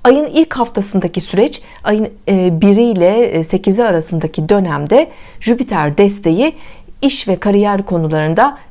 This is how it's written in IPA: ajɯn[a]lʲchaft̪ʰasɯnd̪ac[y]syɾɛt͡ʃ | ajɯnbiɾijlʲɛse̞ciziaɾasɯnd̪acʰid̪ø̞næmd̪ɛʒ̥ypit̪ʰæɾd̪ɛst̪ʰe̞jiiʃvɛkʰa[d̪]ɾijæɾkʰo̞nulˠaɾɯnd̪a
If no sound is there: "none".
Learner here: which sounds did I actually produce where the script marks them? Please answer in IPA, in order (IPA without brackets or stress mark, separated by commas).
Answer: i, i, none